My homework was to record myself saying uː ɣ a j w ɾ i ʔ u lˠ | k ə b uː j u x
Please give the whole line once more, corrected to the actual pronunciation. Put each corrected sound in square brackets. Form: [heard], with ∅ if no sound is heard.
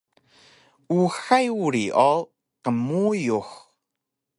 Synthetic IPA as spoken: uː [x] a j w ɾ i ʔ [ɔ] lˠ | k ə [m] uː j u x